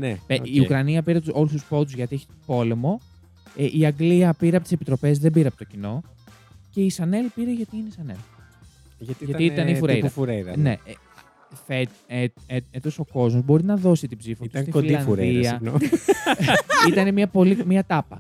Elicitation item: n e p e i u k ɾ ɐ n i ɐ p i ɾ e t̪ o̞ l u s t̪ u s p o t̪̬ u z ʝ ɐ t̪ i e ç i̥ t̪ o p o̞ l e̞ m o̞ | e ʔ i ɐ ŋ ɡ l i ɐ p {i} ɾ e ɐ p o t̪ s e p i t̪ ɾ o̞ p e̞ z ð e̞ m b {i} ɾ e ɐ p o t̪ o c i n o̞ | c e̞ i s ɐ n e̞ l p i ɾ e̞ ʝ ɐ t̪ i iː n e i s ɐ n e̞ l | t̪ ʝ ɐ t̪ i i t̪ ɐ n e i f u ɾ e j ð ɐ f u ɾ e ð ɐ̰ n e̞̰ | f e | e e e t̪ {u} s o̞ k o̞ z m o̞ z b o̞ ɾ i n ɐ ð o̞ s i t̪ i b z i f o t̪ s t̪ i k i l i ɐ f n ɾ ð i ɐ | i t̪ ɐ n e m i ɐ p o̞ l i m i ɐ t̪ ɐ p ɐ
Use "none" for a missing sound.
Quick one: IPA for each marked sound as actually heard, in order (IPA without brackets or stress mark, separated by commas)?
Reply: i, i, o